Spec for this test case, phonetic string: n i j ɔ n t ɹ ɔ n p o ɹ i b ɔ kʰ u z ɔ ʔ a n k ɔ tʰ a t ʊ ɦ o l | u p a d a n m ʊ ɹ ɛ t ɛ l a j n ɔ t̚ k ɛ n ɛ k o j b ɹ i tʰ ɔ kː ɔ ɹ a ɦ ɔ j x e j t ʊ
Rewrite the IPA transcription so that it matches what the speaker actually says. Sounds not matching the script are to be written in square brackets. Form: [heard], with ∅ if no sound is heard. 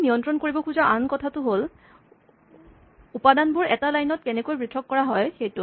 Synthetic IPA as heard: n i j ɔ n t ɹ ɔ n [k] o ɹ i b ɔ kʰ u z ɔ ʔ a n k ɔ tʰ a t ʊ ɦ o l | u p a d a n [b] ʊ ɹ ɛ t [a] l a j n ɔ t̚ k ɛ n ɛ k o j b ɹ i tʰ ɔ kː ɔ ɹ a ɦ ɔ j x e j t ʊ